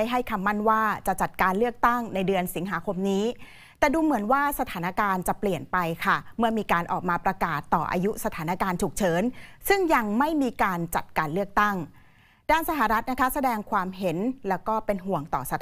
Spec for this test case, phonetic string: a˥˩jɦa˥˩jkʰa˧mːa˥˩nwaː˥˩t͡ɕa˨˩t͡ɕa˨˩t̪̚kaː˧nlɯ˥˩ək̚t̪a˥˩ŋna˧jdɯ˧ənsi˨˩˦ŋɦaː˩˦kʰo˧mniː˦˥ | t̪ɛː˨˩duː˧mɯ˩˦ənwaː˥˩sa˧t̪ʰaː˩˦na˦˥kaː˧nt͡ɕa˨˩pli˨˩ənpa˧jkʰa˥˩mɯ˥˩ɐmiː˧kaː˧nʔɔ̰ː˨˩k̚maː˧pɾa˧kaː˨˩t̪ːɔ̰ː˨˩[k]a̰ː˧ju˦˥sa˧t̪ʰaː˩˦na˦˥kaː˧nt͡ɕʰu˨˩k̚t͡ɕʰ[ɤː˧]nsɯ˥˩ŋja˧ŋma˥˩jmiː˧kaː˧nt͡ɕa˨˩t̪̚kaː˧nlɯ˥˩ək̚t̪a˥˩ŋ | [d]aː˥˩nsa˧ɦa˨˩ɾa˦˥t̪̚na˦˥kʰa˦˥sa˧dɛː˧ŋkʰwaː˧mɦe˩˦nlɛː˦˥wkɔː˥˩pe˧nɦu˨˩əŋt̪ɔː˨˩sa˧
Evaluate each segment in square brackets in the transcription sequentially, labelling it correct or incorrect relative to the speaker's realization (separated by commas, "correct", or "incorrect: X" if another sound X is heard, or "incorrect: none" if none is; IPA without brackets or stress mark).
incorrect: ʔ, incorrect: ɤː˩˦, correct